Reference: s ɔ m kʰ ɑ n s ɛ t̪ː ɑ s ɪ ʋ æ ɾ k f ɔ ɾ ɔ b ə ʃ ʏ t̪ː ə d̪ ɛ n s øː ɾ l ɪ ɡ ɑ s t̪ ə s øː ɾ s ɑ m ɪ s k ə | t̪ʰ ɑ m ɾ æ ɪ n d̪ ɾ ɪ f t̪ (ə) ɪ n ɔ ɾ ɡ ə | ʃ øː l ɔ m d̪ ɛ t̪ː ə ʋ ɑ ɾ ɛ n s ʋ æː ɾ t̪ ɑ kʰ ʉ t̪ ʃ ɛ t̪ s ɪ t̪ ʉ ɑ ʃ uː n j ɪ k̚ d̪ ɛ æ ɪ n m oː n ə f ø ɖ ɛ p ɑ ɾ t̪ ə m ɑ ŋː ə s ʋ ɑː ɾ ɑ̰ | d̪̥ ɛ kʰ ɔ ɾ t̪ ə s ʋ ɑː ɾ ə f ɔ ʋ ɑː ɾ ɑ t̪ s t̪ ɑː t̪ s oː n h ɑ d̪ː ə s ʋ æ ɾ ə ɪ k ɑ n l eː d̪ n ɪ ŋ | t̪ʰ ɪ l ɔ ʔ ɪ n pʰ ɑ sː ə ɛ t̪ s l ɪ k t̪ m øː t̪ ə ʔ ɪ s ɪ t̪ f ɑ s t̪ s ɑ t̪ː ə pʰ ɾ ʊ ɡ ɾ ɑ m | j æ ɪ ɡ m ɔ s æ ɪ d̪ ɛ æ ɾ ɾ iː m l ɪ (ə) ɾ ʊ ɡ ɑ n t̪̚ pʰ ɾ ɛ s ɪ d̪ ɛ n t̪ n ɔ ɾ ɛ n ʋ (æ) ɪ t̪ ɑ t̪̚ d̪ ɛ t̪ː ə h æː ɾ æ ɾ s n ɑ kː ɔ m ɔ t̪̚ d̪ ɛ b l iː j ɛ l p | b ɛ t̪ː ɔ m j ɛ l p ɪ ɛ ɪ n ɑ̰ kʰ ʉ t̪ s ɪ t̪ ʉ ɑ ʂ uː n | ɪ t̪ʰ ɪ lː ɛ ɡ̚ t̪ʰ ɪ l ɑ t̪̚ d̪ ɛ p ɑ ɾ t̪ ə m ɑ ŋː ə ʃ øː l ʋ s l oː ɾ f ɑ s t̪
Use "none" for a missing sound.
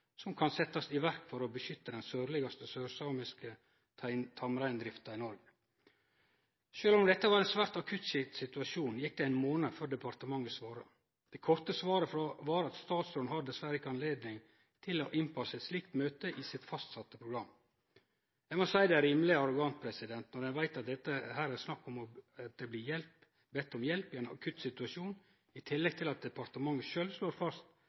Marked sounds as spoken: ɑ, ɑ, æ

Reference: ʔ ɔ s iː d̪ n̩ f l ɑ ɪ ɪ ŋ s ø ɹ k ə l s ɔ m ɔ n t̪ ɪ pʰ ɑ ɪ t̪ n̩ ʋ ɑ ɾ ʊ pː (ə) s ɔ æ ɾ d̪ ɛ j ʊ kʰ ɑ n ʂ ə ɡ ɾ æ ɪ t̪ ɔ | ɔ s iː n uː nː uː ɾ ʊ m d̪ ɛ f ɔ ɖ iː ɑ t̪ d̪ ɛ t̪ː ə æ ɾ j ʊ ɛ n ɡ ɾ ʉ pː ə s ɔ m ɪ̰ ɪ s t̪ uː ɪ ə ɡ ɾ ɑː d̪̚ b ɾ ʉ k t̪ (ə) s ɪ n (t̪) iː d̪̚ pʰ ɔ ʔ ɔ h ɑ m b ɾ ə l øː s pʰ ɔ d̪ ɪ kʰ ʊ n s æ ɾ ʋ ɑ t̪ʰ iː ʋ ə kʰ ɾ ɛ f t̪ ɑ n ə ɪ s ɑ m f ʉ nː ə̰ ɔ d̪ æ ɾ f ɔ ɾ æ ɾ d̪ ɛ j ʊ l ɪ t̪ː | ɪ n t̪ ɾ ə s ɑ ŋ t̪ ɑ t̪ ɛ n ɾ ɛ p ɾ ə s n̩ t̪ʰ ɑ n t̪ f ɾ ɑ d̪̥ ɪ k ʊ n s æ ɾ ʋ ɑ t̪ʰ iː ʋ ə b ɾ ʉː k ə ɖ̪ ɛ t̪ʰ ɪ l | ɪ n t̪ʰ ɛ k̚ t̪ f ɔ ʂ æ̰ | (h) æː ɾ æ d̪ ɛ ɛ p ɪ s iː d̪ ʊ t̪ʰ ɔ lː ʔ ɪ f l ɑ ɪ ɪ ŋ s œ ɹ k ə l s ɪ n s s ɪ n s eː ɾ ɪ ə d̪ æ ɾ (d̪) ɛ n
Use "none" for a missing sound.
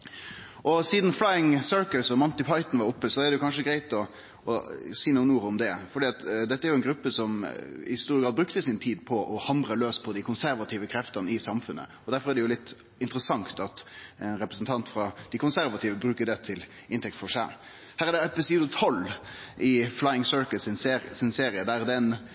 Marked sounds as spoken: ə, ə, t̪ʰ, h, d̪

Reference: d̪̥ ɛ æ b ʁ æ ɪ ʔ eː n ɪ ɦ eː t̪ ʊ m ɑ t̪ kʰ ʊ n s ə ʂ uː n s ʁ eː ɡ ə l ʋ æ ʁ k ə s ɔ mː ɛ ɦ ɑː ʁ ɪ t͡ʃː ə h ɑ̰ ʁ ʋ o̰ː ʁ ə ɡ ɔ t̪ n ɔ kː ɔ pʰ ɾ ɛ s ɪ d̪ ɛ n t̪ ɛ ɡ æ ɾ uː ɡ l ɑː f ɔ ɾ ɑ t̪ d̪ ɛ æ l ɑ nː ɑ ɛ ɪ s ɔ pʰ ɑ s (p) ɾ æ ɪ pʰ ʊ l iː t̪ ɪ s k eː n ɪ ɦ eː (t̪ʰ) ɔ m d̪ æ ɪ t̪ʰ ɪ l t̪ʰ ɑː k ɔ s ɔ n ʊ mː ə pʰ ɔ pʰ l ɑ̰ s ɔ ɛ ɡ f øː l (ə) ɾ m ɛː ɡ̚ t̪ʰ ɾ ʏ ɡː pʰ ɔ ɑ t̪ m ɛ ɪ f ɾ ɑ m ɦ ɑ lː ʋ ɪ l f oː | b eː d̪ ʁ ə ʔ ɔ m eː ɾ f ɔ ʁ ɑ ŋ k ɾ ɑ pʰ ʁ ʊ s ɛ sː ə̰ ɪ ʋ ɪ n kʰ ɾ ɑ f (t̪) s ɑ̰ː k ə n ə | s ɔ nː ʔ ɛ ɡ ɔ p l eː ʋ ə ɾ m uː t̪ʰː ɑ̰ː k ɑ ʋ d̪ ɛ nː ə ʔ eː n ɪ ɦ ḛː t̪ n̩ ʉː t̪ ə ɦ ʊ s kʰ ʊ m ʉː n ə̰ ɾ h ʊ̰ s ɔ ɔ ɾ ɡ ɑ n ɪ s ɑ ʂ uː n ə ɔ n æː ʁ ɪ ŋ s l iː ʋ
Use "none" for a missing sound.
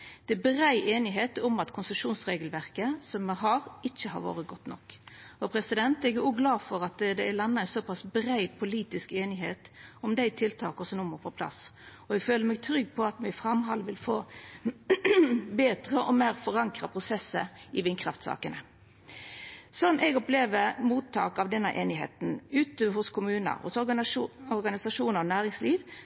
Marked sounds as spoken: b, t̪, ə, t̪

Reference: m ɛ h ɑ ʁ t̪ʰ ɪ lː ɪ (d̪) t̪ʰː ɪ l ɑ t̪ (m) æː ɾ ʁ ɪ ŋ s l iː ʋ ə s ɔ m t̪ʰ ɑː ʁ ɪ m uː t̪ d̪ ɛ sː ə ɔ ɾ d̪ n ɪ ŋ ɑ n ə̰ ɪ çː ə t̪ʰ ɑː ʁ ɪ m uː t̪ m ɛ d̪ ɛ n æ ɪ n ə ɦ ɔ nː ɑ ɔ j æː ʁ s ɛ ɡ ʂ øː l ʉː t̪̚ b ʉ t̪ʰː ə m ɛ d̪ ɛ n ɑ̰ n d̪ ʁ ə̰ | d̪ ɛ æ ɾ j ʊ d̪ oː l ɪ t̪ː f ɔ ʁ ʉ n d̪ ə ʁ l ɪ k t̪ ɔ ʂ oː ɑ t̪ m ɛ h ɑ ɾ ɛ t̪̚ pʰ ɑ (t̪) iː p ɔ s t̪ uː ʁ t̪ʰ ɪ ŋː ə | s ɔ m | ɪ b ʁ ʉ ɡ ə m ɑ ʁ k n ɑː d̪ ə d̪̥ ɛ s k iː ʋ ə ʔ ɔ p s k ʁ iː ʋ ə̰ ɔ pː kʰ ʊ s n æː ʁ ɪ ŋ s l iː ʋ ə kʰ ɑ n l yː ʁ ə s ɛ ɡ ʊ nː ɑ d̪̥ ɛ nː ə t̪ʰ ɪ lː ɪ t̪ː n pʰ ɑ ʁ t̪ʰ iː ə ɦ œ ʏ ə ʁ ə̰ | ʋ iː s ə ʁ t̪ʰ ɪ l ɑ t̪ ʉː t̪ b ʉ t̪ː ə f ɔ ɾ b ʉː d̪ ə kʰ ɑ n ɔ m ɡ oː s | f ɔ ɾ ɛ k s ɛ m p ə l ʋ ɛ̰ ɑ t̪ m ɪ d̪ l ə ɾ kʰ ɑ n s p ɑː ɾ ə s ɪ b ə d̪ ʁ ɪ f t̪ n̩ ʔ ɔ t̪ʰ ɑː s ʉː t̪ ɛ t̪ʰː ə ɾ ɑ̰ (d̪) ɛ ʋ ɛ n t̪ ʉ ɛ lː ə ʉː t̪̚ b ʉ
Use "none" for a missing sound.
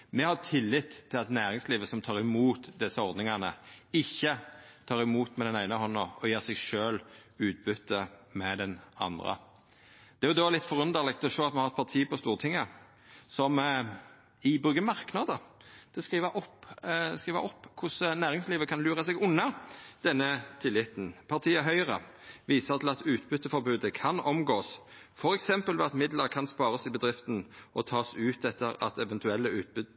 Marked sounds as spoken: t̪, n, t̪ʰ, t̪

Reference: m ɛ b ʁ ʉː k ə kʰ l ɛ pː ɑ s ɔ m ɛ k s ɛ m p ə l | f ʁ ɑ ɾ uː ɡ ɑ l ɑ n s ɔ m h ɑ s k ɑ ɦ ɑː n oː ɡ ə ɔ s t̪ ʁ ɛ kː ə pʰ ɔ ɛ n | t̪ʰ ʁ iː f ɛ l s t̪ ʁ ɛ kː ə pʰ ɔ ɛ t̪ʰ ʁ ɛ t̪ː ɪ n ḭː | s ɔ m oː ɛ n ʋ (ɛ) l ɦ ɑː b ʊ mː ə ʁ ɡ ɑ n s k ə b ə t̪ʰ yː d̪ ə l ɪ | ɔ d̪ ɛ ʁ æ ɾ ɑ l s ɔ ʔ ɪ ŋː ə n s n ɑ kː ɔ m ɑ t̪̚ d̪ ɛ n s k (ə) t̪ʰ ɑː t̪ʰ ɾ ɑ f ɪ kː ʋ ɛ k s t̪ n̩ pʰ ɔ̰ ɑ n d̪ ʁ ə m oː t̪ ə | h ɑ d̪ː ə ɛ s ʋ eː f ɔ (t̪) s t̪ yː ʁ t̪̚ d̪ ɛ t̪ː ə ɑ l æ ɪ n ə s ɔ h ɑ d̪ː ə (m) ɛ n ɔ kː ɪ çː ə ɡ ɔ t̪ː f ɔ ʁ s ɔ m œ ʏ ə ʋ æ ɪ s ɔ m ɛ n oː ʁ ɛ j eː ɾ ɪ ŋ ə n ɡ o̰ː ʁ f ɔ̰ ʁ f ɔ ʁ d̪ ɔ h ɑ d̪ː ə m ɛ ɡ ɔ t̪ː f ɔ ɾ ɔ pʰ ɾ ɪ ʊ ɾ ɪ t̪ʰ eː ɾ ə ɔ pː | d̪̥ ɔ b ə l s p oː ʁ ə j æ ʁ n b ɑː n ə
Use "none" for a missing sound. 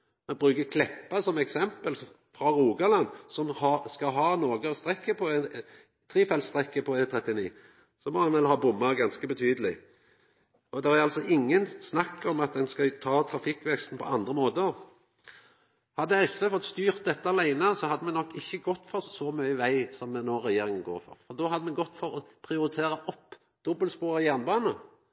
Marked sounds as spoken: ɛ, ɑ, t̪, m

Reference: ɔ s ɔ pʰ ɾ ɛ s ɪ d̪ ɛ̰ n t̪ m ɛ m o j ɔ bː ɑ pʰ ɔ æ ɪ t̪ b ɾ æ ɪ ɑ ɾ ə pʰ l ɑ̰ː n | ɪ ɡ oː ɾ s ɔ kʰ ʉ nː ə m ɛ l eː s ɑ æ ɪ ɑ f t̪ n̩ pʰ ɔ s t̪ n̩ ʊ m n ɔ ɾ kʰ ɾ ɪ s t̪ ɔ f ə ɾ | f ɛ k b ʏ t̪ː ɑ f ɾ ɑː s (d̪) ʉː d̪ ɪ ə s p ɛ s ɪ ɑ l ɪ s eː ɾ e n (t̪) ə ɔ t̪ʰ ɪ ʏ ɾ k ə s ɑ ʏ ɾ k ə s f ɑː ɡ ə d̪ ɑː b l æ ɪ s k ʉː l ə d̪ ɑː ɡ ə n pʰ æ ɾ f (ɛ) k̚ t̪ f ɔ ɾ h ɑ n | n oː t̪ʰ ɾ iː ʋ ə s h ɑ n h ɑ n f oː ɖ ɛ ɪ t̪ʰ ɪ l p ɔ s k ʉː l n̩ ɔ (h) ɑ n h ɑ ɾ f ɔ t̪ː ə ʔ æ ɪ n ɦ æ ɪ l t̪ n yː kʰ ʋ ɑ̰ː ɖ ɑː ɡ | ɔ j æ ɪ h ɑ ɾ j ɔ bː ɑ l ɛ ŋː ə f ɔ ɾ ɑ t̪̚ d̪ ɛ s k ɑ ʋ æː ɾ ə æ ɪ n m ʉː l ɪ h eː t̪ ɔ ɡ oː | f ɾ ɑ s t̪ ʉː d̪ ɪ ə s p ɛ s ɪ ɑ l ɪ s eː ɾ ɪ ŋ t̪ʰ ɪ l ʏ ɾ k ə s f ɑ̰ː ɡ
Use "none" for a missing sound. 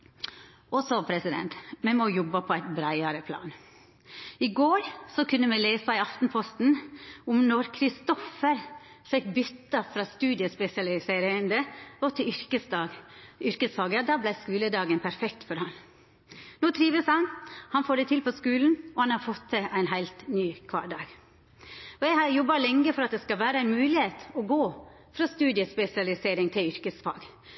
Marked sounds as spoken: t̪, d̪, ɛ, h

